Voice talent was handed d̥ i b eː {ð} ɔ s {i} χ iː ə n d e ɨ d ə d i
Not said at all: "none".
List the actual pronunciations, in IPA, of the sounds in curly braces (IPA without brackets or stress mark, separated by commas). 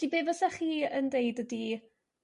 v, ɛ